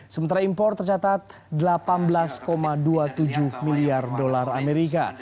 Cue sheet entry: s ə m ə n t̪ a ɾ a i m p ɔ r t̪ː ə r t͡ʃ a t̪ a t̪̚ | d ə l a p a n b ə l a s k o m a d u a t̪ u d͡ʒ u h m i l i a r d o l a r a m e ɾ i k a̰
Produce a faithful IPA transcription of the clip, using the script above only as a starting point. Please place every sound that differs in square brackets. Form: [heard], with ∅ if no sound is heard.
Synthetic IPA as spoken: s ə m ə n t̪ a ɾ a i m p ɔ r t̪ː ə r t͡ʃ a t̪ a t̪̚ | d ə l a p a n b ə l a s k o m a d u a t̪ u d͡ʒ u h m i l i a r d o l a r a m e ɾ i k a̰